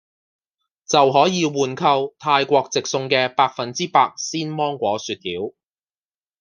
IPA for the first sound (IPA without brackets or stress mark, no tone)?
t͡s